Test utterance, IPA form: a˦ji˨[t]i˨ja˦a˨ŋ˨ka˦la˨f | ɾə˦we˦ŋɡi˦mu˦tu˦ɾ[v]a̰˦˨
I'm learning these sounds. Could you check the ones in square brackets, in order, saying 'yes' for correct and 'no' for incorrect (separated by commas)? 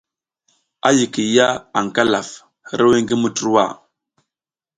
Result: no, no